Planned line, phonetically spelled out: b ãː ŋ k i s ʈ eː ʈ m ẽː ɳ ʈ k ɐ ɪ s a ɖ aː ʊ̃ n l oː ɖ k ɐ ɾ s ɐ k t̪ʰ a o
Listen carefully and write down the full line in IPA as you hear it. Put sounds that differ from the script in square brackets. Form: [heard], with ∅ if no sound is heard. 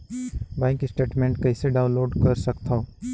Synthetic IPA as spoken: b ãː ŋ k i s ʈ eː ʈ m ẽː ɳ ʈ k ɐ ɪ s [e] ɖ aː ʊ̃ n l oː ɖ k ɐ ɾ s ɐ k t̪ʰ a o